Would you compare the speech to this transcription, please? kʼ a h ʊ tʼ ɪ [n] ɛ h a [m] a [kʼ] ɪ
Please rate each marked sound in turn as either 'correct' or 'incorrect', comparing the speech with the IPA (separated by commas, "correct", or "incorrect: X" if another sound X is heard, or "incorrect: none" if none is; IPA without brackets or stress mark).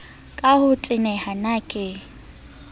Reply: correct, incorrect: n, correct